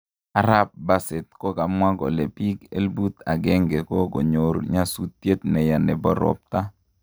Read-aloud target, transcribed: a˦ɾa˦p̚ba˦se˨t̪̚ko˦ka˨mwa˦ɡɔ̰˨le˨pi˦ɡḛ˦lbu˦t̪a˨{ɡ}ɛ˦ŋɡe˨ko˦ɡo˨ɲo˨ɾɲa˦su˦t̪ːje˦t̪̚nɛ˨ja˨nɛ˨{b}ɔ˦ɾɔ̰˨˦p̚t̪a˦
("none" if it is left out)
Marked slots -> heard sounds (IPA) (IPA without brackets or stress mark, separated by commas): ɡ, b